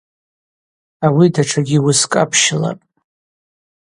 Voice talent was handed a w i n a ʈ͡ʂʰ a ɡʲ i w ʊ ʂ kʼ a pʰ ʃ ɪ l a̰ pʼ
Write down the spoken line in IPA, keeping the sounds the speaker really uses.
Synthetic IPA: a w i d a ʈ͡ʂʰ a ɡʲ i w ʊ s kʼ a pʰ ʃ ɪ l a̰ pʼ